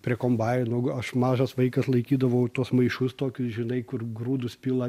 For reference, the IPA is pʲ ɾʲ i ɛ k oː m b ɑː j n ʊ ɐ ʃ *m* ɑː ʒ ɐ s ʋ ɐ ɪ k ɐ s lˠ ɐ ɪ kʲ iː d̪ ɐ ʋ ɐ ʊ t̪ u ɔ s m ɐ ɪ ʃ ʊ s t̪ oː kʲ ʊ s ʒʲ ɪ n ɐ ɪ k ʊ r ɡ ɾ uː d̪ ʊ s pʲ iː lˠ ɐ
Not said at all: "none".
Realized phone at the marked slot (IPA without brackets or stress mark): m